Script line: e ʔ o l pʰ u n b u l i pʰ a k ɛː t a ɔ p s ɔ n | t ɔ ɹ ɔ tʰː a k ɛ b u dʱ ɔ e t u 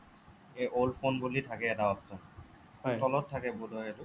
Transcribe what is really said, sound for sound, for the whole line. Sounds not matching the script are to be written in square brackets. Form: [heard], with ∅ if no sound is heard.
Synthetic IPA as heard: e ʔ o l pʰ [o] n b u l i [tʰ] a k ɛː t a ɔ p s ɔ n | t ɔ [l] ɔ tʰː a k ɛ b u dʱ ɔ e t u